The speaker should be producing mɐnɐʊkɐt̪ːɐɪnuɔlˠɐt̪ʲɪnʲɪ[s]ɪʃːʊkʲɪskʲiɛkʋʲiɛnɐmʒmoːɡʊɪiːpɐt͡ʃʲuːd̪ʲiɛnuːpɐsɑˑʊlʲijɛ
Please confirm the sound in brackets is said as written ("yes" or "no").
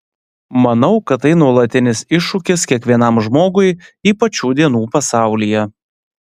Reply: yes